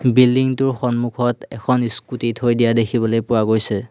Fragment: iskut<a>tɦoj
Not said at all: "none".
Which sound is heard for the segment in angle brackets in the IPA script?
i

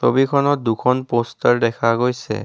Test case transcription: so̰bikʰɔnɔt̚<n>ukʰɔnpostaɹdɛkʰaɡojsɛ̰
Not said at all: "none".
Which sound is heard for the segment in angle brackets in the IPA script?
d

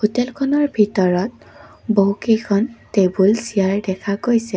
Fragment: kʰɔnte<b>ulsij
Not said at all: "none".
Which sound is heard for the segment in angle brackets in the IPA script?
b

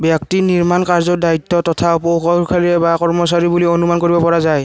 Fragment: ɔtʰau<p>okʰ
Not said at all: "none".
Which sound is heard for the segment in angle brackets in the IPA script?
p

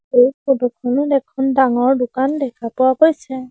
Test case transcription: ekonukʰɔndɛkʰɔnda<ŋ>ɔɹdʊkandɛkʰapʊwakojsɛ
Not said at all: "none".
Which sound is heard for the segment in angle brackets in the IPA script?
ŋ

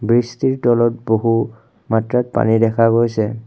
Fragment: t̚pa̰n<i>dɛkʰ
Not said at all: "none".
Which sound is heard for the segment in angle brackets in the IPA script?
i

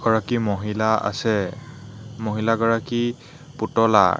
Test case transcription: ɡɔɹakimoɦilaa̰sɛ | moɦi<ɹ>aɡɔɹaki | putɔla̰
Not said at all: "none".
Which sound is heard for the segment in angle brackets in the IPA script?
l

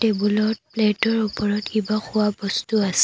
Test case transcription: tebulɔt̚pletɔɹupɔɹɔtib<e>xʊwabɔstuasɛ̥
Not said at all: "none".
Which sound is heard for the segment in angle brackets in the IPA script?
a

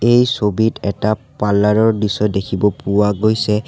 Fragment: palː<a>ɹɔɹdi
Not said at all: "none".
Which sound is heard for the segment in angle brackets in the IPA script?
a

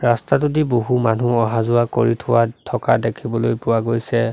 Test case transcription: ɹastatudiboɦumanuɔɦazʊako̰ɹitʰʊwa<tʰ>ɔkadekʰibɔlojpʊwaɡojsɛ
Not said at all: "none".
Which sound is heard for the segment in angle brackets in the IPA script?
tʰ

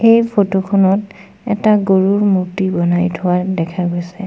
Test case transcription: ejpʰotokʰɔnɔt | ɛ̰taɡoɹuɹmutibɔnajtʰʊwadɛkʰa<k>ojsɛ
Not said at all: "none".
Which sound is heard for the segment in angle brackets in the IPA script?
ɡ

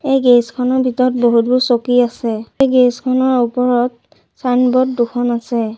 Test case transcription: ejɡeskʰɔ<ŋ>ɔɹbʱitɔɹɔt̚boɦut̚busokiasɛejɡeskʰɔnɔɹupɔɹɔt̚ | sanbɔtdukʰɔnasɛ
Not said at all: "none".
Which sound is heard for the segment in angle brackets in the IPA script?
n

